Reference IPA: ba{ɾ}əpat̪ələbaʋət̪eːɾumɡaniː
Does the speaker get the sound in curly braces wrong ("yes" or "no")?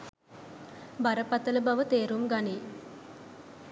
no